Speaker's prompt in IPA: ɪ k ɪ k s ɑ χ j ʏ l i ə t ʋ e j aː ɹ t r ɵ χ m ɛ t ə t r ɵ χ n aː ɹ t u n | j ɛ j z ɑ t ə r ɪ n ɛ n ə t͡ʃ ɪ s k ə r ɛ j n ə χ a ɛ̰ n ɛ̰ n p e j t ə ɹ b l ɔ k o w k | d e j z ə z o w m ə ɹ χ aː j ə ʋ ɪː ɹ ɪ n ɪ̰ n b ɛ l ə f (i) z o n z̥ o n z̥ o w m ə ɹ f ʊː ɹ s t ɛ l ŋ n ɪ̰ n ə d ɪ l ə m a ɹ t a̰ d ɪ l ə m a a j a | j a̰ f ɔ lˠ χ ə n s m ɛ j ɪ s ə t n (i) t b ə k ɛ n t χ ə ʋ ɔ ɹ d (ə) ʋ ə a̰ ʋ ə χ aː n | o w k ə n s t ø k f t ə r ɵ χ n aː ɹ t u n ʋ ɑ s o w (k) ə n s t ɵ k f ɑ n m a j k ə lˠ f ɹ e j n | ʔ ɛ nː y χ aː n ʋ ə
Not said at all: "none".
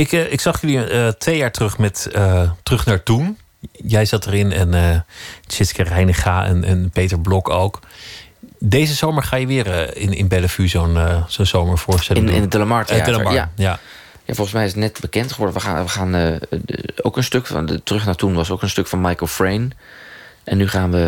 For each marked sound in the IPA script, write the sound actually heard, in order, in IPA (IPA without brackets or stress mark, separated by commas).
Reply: y, ɛ, ə, k